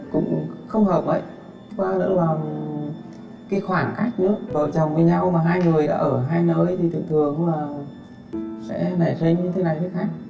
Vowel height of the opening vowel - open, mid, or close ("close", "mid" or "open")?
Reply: close